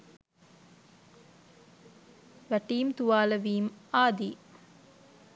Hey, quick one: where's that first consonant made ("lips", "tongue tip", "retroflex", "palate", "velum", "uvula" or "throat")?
lips